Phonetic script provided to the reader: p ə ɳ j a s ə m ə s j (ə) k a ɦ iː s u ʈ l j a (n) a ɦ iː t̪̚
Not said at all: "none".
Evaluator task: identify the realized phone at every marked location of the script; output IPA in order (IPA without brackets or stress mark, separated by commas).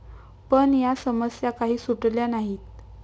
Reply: a, n